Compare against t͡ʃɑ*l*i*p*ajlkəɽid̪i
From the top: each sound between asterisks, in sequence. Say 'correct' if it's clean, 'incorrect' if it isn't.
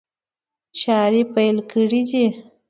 incorrect, correct

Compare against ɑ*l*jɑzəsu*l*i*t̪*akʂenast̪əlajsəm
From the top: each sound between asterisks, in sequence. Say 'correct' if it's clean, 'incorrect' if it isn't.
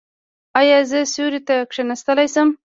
incorrect, incorrect, correct

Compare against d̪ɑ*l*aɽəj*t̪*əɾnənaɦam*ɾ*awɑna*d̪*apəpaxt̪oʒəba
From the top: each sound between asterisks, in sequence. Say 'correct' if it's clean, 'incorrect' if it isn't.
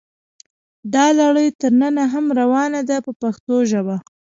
correct, correct, correct, correct

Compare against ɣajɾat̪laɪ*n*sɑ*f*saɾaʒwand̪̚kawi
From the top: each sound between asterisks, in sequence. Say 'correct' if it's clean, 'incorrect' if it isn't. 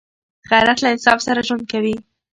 correct, correct

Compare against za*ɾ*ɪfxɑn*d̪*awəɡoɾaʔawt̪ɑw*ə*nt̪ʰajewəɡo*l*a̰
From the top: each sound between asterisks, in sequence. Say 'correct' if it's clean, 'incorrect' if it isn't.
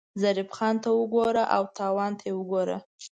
correct, incorrect, incorrect, incorrect

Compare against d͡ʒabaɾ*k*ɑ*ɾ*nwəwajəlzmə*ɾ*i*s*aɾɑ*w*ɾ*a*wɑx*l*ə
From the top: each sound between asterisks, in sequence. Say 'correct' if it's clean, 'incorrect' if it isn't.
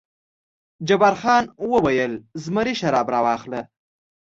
incorrect, incorrect, correct, incorrect, incorrect, incorrect, correct

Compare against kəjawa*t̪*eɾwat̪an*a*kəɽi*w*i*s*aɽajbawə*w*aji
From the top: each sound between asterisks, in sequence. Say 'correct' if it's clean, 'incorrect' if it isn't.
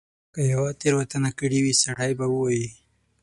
correct, correct, correct, correct, correct

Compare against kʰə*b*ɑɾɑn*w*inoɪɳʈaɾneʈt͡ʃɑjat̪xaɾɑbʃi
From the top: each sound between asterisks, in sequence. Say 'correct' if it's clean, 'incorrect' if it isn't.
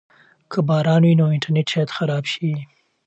correct, correct

